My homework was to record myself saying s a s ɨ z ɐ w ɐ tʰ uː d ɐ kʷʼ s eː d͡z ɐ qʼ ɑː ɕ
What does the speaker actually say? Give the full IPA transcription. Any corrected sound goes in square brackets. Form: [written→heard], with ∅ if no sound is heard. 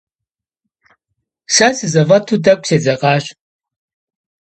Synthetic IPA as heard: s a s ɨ z ɐ [w→v] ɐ tʰ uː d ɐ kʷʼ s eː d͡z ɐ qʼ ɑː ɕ